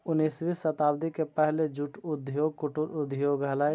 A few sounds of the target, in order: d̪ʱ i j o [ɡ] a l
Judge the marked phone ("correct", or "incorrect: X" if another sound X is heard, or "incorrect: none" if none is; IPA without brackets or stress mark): correct